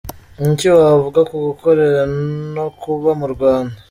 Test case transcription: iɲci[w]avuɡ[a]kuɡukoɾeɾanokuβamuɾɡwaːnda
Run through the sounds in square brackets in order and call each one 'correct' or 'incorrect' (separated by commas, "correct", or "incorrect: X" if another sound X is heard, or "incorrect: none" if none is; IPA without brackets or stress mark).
correct, correct